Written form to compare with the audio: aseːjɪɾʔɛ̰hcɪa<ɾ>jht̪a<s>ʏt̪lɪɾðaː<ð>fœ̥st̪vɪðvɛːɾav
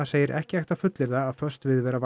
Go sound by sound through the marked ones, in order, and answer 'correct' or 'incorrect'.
incorrect, incorrect, correct

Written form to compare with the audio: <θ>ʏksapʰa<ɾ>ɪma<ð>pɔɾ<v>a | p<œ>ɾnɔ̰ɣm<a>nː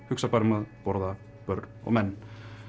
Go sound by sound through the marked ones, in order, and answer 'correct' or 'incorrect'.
incorrect, correct, correct, incorrect, correct, incorrect

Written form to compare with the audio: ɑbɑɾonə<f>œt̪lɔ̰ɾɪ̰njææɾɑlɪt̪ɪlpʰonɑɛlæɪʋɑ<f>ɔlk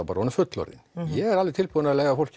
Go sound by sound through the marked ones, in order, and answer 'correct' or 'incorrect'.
correct, correct

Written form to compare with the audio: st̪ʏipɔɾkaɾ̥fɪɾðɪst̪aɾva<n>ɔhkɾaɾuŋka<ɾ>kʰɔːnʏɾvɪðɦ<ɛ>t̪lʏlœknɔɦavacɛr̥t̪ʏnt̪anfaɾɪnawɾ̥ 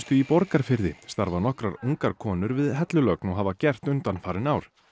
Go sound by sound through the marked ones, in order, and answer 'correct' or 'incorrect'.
correct, correct, correct

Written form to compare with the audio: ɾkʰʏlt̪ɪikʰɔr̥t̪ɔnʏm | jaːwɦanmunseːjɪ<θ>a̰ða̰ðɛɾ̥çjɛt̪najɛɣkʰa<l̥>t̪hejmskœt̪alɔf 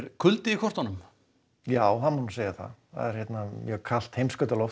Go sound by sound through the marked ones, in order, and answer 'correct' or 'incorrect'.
correct, correct

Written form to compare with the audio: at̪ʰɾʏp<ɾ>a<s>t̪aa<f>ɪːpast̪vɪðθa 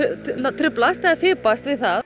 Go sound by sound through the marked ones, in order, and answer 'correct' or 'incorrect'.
incorrect, correct, correct

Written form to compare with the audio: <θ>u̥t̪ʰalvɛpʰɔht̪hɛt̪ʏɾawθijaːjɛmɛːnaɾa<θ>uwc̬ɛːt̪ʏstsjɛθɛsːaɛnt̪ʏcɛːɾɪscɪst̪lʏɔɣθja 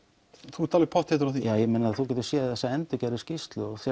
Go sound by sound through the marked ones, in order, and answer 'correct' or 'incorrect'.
correct, correct

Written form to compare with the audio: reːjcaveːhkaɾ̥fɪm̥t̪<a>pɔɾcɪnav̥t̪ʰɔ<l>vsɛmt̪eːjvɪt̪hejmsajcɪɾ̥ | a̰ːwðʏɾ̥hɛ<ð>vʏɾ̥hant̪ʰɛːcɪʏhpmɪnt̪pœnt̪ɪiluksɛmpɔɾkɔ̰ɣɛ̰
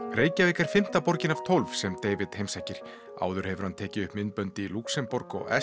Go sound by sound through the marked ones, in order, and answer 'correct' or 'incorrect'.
correct, correct, incorrect

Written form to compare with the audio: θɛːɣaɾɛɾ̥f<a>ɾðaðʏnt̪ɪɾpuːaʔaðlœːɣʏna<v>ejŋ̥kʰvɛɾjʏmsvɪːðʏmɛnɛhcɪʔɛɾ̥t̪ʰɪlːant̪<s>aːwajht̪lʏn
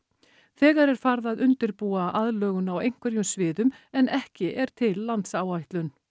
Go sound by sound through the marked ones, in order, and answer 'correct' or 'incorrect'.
correct, incorrect, correct

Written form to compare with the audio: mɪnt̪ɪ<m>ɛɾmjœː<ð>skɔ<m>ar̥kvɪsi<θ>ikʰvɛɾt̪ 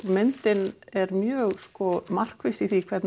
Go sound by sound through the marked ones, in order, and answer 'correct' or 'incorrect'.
incorrect, incorrect, correct, correct

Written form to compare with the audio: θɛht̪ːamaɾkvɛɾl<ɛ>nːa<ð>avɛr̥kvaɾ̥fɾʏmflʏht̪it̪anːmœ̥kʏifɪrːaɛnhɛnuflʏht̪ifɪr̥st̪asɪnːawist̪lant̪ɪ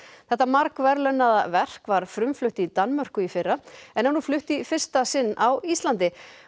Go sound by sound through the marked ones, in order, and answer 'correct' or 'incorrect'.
incorrect, correct

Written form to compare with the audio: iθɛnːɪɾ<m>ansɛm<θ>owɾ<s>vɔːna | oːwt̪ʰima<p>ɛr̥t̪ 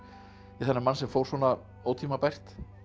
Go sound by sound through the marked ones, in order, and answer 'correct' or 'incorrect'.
correct, incorrect, correct, correct

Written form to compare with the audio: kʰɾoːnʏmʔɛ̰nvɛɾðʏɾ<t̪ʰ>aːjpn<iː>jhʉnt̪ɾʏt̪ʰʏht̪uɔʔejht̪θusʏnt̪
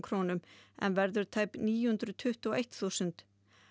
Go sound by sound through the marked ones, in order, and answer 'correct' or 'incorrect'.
correct, correct

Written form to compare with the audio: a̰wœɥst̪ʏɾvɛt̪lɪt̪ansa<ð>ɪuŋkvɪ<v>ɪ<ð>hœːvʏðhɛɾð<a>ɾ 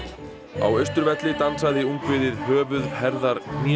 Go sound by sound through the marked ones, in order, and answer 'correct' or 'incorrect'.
correct, incorrect, correct, correct

